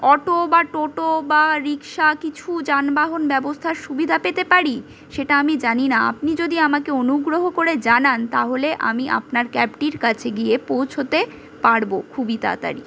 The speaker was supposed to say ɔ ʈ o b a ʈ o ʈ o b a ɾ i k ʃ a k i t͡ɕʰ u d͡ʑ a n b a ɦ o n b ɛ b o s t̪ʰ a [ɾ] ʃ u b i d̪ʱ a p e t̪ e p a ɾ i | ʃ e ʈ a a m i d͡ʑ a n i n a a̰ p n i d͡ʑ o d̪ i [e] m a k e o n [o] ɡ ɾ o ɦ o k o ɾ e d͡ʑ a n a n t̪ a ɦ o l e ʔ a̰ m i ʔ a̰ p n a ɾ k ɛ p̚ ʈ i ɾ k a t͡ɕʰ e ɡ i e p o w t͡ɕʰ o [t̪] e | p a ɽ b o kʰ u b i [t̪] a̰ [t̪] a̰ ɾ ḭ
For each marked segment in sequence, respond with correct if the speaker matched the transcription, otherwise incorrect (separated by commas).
correct, incorrect, incorrect, correct, correct, correct